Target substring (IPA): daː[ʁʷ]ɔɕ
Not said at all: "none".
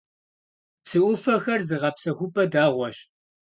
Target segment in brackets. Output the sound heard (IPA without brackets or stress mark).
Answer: ʁʷ